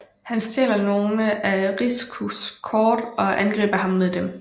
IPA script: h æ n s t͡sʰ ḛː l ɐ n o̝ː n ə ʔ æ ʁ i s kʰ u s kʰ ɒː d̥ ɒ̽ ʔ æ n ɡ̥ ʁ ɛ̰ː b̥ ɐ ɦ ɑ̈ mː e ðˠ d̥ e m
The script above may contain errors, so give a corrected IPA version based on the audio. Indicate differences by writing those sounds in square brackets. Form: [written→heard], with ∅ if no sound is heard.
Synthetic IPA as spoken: h æ n s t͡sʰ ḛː l ɐ n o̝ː n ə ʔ æ ʁ i s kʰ u s kʰ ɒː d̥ ɒ̽ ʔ æ n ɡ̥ ʁ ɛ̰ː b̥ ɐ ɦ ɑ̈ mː e ðˠ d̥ e m